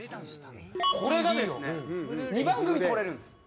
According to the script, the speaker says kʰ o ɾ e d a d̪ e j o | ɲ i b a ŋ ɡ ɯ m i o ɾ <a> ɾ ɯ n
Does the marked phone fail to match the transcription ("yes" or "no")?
yes